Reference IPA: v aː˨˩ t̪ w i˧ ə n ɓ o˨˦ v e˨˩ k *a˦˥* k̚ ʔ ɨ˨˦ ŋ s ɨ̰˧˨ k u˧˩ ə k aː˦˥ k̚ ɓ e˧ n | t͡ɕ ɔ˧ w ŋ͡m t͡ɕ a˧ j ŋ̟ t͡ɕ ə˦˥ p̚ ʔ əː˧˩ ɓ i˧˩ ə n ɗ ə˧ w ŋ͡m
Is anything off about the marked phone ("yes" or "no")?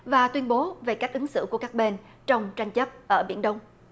no